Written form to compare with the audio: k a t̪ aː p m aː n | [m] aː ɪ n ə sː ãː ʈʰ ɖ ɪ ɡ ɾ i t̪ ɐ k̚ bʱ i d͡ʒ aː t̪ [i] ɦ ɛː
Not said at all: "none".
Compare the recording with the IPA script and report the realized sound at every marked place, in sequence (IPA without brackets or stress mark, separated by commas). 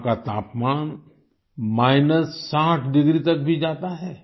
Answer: m, a